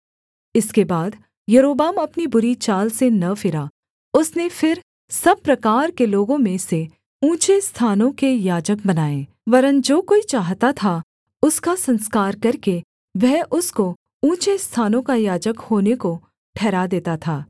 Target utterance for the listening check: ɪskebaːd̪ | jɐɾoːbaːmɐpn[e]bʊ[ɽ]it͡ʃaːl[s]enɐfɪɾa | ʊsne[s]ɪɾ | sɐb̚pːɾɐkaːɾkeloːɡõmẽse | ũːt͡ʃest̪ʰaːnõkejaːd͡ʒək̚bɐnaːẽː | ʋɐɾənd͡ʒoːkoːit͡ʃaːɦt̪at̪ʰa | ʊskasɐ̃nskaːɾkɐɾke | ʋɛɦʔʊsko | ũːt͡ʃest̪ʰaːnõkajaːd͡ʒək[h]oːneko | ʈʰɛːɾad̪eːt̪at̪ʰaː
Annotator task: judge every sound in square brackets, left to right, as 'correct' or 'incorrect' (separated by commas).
incorrect, incorrect, correct, incorrect, correct